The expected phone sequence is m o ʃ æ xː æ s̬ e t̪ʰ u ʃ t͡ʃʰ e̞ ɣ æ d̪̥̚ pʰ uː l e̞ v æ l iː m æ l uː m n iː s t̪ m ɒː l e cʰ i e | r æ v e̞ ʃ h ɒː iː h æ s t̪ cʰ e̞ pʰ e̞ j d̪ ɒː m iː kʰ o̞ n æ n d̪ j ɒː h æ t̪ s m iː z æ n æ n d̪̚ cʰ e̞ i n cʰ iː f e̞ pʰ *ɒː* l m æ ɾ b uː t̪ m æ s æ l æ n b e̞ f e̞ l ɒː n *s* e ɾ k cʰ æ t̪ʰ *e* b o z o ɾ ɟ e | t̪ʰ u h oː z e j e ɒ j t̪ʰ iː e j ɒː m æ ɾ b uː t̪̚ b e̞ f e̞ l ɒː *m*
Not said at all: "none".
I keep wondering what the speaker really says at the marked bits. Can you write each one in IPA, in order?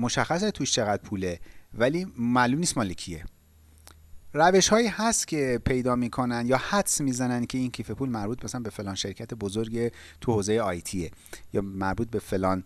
uː, ʃ, e, n

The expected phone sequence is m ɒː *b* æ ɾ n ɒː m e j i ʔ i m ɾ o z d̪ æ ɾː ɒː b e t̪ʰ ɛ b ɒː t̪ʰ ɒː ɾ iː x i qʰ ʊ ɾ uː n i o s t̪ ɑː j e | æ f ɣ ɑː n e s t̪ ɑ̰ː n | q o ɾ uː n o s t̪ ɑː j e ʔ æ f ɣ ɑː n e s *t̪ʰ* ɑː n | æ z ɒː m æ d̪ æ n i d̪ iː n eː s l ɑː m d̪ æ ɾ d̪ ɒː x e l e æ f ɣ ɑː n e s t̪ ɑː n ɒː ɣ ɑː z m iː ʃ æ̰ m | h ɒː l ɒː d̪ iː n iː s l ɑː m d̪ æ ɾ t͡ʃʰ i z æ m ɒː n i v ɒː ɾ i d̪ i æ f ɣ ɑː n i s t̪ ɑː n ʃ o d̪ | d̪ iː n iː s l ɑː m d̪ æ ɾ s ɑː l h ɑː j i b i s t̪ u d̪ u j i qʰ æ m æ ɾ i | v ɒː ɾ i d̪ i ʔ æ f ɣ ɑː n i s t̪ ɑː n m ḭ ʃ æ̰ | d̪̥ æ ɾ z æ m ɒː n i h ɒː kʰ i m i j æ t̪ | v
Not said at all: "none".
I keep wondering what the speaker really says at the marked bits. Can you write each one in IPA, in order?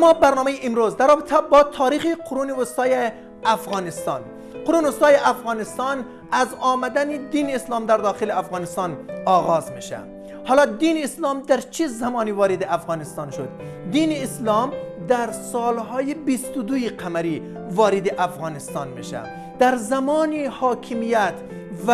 b, t̪

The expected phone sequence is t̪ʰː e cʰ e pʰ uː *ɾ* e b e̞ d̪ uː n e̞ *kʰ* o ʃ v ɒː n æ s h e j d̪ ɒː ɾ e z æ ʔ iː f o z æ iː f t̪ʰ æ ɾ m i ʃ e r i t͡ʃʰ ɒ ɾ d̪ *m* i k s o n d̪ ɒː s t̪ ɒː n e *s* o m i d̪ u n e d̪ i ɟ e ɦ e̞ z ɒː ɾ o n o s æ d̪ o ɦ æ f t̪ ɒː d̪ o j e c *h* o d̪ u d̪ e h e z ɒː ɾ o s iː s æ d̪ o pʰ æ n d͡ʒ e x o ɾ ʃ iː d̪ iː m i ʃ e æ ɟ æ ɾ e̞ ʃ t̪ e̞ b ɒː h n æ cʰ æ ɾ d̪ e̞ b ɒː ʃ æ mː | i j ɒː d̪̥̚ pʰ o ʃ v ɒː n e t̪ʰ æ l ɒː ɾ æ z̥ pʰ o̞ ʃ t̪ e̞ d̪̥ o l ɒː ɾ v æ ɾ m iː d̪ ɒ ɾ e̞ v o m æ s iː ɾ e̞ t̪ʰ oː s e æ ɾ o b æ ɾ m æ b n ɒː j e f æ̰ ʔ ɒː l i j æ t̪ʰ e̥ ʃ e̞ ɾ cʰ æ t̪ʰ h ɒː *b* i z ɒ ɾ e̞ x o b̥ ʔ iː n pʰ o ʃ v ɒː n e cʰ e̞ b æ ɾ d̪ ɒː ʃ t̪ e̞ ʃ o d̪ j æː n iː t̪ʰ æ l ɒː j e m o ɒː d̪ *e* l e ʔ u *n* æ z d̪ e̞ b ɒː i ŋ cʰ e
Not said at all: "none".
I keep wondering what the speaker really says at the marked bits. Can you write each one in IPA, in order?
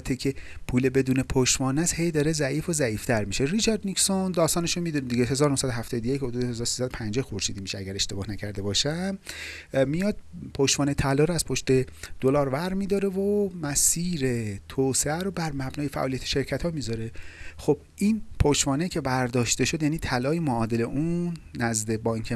l, pʰ, n, ʃ, h, m, e, nː

